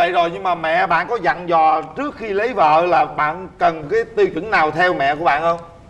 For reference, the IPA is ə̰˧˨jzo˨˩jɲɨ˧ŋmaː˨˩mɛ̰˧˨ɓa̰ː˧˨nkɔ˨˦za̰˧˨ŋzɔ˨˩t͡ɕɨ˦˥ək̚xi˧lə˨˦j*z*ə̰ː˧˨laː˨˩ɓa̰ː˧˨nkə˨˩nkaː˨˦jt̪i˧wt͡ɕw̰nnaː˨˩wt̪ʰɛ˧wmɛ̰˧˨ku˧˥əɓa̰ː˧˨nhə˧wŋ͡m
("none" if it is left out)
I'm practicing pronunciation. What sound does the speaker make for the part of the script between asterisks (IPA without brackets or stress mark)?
v